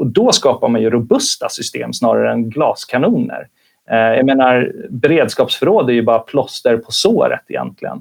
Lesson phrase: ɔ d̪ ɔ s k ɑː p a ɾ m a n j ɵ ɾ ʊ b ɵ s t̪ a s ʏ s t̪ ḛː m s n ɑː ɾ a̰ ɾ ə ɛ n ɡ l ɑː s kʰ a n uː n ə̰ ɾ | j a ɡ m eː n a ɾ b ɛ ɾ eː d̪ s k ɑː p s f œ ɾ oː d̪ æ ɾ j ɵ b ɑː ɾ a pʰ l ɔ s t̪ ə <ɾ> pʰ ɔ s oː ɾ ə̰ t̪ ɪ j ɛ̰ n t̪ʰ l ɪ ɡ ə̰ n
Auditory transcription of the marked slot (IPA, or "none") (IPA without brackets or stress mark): ɾ